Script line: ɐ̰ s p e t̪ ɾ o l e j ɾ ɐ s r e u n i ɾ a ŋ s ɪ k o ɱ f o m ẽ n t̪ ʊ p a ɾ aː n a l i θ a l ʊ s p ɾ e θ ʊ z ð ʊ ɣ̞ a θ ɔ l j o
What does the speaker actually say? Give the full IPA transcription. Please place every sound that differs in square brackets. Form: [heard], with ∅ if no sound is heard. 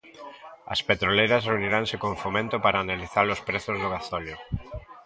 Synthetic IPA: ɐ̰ s p e t̪ ɾ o l e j ɾ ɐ s r e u n i ɾ a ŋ s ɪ k o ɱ f o m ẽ n t̪ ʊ p a ɾ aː n a l i θ a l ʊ s p ɾ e θ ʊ z ð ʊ ɣ̞ a θ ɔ l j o